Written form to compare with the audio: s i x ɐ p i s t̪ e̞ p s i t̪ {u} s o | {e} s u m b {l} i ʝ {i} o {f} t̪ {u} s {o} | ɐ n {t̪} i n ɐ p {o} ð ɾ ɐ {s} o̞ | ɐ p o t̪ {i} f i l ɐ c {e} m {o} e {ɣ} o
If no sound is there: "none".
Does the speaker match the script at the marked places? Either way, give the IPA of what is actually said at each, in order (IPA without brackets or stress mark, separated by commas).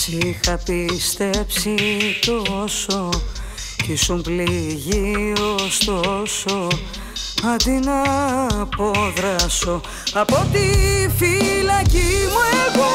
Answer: o, i, l, i, s, o, o, d̪, o, s, i, i, u, ɣ